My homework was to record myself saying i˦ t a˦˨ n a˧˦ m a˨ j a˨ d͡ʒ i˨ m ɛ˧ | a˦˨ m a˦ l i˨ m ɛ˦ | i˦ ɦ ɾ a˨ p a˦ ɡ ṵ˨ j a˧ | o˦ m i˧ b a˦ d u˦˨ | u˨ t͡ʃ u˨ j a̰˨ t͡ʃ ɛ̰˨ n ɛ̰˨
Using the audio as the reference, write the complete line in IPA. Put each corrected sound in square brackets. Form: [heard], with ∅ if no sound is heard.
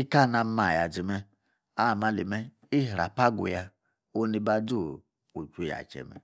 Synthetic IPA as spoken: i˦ [k] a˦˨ n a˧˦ m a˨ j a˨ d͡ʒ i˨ m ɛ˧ | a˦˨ m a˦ l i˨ m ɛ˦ | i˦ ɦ ɾ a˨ p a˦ ɡ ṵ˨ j a˧ | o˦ [n] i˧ b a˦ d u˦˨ | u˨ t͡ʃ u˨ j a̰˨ t͡ʃ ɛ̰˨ [m] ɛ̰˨